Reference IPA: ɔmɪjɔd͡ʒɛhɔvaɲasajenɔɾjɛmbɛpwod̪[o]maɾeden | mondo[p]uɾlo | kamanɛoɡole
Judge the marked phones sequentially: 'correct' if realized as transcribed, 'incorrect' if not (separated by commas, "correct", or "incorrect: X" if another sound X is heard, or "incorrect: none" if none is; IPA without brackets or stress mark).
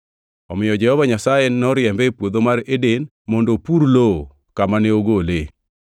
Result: correct, correct